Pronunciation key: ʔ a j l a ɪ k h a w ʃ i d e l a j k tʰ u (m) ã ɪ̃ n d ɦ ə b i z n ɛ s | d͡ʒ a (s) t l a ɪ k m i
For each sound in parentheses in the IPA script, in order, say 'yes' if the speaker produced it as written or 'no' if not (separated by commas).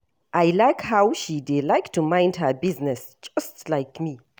yes, yes